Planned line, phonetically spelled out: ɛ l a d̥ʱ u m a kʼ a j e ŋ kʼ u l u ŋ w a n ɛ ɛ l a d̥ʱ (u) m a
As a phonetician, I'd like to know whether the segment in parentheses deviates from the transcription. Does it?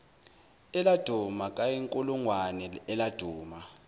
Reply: yes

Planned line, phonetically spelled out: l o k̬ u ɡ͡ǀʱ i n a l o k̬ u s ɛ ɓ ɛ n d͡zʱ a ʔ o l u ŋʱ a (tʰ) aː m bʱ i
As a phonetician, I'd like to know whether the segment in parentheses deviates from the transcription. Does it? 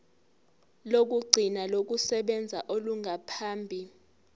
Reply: yes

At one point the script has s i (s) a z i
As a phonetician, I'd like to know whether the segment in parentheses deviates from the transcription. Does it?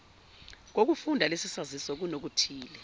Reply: no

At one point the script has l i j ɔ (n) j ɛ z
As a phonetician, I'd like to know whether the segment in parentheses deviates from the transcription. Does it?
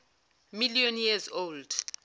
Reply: no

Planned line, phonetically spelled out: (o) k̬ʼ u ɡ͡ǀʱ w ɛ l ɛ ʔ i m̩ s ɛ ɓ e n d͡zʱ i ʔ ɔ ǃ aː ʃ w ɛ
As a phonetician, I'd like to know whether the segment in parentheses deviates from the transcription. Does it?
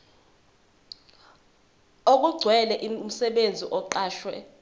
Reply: no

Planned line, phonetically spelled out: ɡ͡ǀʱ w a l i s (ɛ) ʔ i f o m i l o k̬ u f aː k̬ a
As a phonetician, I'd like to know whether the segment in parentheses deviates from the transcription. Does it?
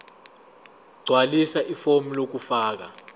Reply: yes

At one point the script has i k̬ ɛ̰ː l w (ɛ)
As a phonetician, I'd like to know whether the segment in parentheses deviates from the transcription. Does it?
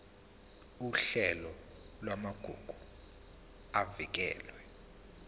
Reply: no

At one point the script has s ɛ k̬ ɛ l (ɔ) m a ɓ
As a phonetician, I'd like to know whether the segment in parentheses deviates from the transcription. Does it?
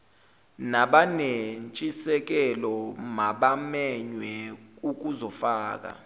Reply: no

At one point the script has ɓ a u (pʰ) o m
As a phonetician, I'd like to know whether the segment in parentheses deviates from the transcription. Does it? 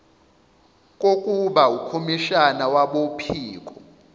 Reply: yes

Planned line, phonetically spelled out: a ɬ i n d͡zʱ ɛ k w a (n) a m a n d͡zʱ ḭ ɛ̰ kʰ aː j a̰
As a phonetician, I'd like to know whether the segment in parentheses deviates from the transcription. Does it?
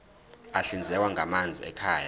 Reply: yes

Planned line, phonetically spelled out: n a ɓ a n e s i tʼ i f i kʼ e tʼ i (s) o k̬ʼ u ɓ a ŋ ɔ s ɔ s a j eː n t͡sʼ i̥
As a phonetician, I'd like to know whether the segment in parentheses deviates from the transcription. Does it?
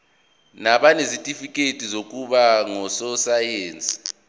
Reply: yes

